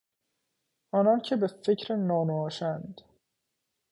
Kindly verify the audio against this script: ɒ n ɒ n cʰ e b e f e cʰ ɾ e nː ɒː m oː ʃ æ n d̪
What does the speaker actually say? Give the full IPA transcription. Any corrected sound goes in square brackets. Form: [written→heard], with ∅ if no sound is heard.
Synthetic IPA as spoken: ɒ n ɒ n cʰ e b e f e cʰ ɾ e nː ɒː [m→n] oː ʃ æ n d̪

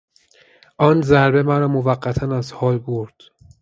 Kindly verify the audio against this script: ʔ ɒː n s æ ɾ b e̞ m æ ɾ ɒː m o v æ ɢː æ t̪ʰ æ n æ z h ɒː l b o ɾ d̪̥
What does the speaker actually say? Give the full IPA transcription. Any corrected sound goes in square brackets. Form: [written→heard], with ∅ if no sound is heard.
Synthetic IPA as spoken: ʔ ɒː n [s→z] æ ɾ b e̞ m æ ɾ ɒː m o v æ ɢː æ t̪ʰ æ n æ z h ɒː l b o ɾ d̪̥

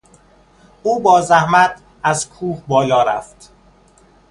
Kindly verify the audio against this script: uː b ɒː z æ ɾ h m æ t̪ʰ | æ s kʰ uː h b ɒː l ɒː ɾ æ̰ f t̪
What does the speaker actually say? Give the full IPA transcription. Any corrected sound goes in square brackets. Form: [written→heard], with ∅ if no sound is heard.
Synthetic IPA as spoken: uː b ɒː z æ [ɾ→∅] h m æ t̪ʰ | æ [s→z] kʰ uː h b ɒː l ɒː ɾ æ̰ f t̪

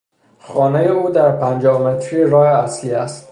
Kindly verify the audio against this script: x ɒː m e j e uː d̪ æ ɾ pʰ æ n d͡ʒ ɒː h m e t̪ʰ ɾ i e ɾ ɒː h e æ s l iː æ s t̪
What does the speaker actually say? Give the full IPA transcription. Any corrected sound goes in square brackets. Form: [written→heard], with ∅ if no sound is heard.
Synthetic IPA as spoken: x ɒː [m→n] e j e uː d̪ æ ɾ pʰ æ n d͡ʒ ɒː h m e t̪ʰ ɾ i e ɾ ɒː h e æ s l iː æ s t̪

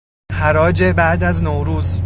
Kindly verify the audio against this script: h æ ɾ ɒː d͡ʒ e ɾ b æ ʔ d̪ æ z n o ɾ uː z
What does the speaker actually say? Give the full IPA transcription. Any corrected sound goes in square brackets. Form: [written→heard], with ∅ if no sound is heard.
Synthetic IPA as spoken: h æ ɾ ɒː d͡ʒ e [ɾ→∅] b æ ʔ d̪ æ z n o ɾ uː z

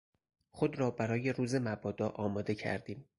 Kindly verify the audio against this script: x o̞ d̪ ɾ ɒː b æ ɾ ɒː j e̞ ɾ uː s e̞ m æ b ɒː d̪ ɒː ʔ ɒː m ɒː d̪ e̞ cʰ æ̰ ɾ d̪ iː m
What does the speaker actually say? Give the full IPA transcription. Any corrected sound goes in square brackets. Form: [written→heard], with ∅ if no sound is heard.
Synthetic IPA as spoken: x o̞ d̪ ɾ ɒː b æ ɾ ɒː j e̞ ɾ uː [s→z] e̞ m æ b ɒː d̪ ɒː ʔ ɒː m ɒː d̪ e̞ cʰ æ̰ ɾ d̪ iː m

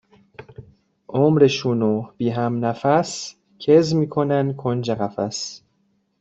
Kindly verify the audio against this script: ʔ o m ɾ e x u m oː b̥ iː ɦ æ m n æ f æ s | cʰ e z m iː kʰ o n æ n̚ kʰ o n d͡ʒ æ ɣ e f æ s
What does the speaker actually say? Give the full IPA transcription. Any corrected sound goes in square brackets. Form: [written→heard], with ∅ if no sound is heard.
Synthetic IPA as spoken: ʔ o m ɾ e [x→ʃ] u [m→n] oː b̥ iː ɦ æ m n æ f æ s | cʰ e z m iː kʰ o n æ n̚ kʰ o n d͡ʒ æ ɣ [e→æ] f æ s

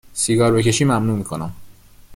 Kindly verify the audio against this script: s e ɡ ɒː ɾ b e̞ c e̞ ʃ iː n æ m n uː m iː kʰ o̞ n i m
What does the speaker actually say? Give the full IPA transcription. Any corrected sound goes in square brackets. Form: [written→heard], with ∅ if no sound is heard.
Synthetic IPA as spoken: s [e→i] ɡ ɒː ɾ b e̞ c e̞ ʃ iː [n→m] æ m n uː m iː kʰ o̞ n [i→æ] m

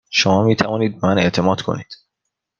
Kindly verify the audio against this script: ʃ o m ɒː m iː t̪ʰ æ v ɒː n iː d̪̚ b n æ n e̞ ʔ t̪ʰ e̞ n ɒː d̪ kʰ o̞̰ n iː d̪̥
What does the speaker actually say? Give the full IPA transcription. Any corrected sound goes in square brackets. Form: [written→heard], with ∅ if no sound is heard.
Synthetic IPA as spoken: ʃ o m ɒː m iː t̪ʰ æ v ɒː n iː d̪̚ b [n→m] æ n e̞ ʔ t̪ʰ e̞ [n→m] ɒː d̪ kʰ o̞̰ n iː d̪̥

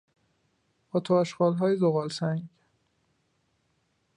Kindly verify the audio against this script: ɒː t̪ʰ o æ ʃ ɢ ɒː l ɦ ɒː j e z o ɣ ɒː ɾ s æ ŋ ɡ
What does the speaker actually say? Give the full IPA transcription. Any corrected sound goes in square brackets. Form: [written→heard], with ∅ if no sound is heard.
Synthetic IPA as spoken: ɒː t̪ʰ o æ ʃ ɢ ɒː l ɦ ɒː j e z o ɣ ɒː [ɾ→l] s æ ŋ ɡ

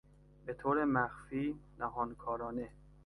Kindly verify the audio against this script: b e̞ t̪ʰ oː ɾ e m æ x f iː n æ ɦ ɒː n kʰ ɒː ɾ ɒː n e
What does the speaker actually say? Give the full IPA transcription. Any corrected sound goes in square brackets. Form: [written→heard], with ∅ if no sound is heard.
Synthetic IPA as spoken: b e̞ t̪ʰ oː ɾ e m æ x f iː n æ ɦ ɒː n kʰ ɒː ɾ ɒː n e

